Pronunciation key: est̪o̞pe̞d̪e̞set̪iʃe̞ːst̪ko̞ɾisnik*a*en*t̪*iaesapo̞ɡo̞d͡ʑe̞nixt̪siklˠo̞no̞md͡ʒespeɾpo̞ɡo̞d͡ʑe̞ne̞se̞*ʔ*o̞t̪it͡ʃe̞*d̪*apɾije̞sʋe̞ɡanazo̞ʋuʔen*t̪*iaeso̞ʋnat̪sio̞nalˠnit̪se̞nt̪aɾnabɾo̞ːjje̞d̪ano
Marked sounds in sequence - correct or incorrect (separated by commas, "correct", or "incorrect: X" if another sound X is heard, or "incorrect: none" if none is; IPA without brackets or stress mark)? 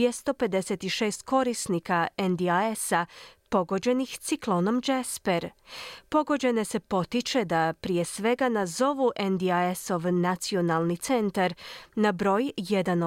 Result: correct, incorrect: d̪, incorrect: p, correct, incorrect: d̪